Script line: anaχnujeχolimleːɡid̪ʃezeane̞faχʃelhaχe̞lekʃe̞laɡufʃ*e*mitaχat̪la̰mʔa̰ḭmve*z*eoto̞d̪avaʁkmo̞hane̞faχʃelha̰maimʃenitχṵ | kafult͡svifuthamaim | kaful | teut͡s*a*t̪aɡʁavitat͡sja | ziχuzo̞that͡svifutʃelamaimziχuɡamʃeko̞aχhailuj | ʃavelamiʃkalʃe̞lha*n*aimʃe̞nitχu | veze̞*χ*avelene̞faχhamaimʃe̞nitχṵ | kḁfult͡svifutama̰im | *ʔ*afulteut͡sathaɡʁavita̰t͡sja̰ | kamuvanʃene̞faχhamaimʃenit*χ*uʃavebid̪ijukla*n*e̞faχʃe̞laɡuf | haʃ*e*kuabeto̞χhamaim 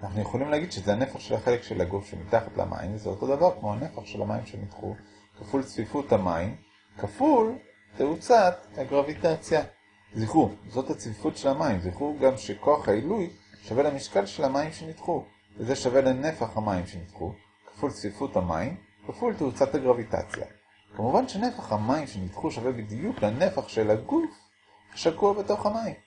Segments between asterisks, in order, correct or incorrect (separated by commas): correct, correct, correct, incorrect, incorrect, incorrect, correct, correct, incorrect